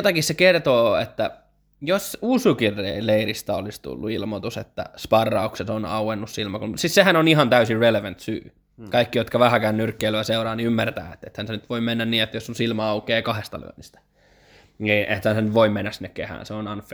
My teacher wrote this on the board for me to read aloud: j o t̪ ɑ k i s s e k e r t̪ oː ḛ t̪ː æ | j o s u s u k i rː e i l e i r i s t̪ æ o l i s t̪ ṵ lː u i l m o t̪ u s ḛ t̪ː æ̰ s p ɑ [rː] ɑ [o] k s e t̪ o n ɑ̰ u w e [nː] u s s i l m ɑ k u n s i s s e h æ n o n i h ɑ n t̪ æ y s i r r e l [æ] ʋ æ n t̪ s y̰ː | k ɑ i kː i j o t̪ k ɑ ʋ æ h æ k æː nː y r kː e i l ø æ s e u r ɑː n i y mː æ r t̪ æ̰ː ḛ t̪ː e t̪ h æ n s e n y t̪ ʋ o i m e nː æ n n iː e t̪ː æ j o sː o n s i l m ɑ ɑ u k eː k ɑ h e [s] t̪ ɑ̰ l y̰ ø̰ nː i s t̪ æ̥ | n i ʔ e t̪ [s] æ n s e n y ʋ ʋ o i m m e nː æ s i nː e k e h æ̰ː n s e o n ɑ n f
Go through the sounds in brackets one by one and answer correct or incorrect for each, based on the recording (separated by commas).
correct, incorrect, correct, incorrect, correct, incorrect